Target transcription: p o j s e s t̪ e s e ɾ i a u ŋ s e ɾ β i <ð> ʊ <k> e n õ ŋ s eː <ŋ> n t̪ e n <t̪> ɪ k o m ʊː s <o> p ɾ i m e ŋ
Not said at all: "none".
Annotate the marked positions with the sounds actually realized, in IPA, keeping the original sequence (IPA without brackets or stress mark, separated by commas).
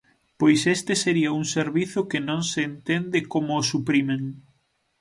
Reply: θ, k, none, d̪, u